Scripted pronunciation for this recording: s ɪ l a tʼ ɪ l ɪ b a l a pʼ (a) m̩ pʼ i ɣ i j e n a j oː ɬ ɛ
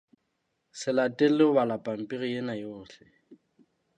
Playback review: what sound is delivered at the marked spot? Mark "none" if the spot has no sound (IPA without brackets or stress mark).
a